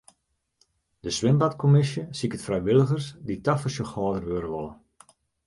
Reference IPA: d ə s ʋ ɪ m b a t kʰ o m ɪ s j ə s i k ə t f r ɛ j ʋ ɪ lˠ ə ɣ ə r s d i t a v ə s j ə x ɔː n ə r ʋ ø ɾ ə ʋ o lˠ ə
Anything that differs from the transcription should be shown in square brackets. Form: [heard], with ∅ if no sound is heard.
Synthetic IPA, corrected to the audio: d ə s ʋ ɪ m b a t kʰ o m ɪ s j ə s i k ə t f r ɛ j ʋ ɪ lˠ ə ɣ ə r s d i t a [f] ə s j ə x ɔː [d] ə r ʋ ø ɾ ə ʋ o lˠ ə